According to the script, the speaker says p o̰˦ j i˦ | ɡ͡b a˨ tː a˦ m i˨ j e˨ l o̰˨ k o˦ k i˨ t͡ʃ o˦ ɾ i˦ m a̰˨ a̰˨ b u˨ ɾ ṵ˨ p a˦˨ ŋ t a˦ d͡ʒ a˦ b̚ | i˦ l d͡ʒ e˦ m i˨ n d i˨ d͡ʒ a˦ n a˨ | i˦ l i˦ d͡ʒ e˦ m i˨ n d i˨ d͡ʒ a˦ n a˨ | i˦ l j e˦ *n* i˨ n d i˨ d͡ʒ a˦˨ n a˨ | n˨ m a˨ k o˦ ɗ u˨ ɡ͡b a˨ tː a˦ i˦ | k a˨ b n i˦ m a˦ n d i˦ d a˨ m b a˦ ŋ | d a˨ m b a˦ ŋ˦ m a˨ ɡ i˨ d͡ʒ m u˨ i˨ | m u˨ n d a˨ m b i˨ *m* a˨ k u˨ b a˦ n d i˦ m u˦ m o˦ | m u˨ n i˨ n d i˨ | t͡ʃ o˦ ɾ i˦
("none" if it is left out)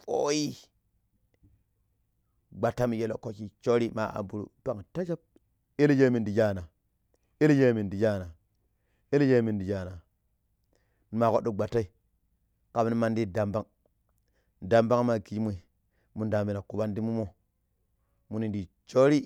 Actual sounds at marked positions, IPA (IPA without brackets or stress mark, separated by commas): m, n